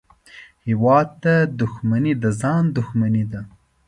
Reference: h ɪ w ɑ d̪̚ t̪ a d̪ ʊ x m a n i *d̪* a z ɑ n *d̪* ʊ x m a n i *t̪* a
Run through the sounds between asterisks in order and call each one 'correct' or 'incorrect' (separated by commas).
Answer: correct, correct, incorrect